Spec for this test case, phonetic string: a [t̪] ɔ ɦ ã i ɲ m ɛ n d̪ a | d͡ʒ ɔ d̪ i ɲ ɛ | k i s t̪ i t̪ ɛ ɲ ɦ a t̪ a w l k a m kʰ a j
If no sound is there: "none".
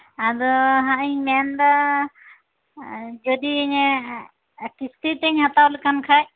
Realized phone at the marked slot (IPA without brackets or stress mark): d̪